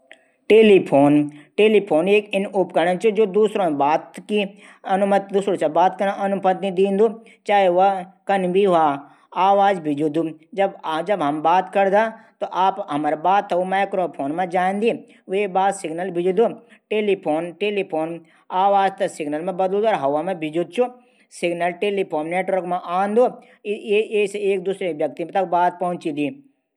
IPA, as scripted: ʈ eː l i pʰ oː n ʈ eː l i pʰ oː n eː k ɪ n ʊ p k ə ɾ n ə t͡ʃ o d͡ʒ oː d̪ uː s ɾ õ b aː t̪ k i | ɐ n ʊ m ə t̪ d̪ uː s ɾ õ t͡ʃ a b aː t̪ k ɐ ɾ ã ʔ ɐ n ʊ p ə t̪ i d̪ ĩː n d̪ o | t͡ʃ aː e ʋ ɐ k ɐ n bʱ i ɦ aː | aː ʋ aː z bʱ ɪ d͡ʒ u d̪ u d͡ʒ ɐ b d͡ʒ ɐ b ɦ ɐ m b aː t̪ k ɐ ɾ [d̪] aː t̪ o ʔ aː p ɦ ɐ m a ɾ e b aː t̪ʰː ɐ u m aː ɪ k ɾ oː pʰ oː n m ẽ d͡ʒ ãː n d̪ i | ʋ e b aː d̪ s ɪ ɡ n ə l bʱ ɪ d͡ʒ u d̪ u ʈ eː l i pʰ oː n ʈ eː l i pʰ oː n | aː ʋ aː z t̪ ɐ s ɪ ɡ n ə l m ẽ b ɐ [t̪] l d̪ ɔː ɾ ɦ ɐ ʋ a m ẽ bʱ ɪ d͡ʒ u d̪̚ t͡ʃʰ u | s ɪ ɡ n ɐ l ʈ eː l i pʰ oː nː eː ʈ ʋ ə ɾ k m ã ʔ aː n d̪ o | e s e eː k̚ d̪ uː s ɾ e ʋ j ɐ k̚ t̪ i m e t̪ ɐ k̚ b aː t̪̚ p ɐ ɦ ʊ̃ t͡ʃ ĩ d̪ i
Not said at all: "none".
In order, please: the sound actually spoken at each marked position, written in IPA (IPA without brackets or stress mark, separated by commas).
d̪, d̪